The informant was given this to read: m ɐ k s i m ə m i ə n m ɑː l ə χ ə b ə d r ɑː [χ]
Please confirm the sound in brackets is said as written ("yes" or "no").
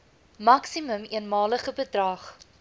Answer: yes